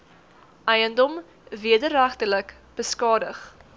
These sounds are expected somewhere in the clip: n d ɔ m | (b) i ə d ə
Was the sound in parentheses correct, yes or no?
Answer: no